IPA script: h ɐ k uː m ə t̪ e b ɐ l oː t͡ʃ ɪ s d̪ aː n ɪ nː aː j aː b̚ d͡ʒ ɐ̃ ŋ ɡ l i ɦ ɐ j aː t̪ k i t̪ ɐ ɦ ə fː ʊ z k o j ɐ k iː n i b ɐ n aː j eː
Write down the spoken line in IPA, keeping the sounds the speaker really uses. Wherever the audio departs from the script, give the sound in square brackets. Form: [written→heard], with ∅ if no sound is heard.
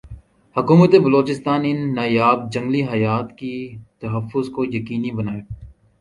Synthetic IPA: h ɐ k uː m ə t̪ e b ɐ l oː t͡ʃ ɪ s [d̪→t̪] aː n ɪ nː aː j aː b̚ d͡ʒ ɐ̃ ŋ ɡ l i ɦ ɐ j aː t̪ k i t̪ ɐ ɦ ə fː ʊ z k o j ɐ k iː n i b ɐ n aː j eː